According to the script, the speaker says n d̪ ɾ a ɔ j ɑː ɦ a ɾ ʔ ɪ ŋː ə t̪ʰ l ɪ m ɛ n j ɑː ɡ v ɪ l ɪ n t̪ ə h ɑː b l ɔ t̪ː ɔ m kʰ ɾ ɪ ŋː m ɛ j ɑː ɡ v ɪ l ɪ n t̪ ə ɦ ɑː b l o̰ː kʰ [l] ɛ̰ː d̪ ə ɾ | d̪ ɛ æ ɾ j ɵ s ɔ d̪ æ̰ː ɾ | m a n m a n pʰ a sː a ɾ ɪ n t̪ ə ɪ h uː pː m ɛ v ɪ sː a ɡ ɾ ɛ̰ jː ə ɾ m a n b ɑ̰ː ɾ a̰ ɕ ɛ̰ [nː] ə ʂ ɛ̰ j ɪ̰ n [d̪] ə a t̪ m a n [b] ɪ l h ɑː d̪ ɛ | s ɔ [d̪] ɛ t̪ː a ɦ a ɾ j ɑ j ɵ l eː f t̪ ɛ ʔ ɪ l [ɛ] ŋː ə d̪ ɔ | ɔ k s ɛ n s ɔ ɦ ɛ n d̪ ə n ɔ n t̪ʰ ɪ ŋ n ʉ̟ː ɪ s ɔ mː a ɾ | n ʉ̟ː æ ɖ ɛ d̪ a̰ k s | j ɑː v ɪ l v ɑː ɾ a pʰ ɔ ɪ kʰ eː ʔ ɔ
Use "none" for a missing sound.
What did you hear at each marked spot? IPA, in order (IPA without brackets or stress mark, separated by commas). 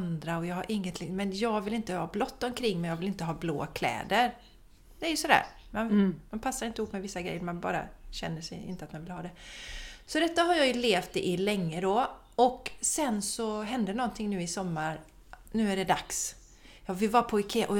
l, nː, t̪, v, d̪, ɛ